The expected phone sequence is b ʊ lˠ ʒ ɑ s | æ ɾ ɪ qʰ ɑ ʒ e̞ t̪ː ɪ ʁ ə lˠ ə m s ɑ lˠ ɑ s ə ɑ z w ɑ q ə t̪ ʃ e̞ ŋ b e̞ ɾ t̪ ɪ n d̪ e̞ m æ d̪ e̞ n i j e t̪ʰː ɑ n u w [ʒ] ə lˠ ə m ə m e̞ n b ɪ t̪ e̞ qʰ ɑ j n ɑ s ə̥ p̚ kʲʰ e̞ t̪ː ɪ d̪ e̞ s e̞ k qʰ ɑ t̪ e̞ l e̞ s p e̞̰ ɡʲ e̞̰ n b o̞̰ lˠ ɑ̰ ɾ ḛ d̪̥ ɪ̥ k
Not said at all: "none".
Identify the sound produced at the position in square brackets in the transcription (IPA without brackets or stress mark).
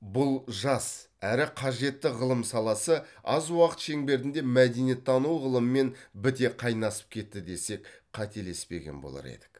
ʁ